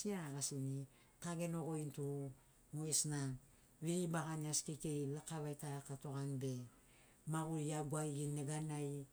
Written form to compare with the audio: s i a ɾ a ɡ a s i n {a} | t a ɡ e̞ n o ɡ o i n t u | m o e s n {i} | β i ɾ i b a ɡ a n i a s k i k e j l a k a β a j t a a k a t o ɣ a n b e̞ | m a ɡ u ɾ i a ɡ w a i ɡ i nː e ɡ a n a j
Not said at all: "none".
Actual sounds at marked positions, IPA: i, a

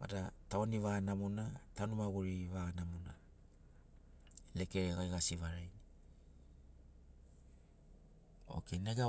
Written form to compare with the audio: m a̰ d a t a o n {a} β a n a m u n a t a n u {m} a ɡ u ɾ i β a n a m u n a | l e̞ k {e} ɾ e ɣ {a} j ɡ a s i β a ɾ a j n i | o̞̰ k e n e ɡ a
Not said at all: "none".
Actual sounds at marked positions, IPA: i, m, e, a

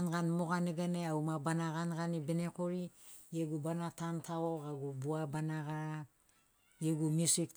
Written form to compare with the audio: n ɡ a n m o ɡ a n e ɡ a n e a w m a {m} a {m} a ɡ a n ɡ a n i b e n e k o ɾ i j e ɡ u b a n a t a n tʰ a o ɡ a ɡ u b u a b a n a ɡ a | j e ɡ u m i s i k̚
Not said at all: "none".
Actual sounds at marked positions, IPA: b, n

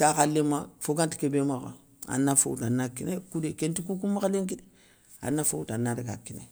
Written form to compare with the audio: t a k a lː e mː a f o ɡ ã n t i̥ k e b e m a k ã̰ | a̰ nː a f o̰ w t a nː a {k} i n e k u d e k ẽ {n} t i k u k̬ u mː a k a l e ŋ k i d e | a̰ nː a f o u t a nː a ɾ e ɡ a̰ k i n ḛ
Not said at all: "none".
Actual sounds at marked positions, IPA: k, n

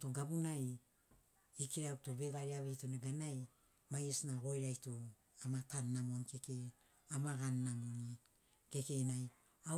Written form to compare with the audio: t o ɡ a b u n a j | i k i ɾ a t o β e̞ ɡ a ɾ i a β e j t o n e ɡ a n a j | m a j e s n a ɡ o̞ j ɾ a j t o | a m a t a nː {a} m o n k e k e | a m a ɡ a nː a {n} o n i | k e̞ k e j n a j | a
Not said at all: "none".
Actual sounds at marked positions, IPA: a, m

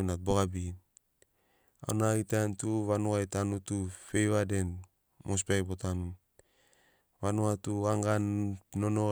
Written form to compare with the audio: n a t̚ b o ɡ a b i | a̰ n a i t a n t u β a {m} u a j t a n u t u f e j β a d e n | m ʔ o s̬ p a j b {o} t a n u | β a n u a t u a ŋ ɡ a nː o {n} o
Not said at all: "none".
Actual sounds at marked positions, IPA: n, o, n

